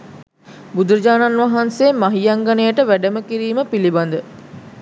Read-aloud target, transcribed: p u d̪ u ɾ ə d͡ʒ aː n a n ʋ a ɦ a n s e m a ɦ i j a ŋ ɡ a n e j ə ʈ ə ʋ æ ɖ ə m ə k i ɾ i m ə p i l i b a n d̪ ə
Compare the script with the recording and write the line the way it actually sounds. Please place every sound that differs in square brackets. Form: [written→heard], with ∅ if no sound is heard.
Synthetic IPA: [p→b] u d̪ u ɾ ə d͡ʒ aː n a n ʋ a ɦ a n s e m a ɦ i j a ŋ ɡ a n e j ə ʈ ə ʋ æ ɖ ə m ə k i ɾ [i→iː] m ə p i l i b a n d̪ ə